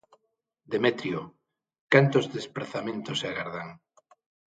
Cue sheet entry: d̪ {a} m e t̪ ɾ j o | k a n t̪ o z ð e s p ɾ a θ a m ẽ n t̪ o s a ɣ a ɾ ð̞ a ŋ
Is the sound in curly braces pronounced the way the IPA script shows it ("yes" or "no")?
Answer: no